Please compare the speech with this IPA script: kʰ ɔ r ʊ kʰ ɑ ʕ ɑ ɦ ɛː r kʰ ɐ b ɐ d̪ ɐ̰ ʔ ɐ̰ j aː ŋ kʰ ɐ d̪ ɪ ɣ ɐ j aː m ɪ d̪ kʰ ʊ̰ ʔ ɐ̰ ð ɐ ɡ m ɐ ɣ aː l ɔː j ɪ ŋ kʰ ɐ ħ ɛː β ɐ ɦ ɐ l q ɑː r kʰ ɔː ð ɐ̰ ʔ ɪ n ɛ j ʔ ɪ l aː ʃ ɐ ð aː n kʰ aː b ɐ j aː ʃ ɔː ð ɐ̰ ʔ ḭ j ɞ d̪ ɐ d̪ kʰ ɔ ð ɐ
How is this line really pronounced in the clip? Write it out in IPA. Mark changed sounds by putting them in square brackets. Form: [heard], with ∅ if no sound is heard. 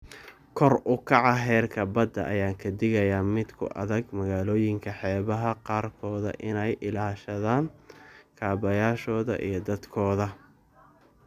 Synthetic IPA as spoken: kʰ ɔ r ʊ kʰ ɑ ʕ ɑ ɦ ɛː r kʰ ɐ b ɐ d̪ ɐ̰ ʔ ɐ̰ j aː ŋ kʰ ɐ d̪ ɪ ɣ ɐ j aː m ɪ d̪ kʰ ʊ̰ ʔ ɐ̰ ð ɐ ɡ m ɐ ɣ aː l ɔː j ɪ ŋ kʰ ɐ ħ ɛː β ɐ ɦ ɐ [∅] q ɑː r kʰ ɔː ð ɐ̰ ʔ ɪ n ɛ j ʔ ɪ l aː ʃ ɐ ð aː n kʰ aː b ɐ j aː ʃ ɔː ð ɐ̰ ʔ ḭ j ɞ d̪ ɐ d̪ kʰ [ɔː] ð ɐ